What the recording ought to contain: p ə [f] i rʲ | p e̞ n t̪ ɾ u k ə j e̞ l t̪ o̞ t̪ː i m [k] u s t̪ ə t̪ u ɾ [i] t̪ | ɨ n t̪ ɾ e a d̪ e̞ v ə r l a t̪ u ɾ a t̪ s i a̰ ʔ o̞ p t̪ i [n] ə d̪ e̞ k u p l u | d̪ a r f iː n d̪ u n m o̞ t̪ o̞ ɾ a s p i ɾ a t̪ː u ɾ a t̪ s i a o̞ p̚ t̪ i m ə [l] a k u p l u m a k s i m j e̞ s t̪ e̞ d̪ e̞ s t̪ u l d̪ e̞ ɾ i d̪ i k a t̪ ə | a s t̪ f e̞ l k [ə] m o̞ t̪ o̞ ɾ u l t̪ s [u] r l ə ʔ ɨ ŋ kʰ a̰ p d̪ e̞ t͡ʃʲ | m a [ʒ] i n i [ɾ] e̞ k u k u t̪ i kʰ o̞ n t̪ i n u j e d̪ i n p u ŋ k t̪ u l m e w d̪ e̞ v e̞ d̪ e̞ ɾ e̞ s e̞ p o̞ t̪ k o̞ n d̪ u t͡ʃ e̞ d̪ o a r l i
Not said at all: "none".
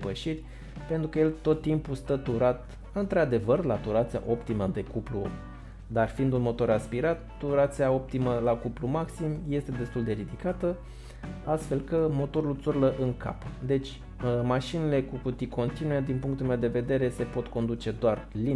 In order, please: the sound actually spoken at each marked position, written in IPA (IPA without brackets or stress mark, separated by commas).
ʃ, p, a, m, l, ə, u, ʃ, l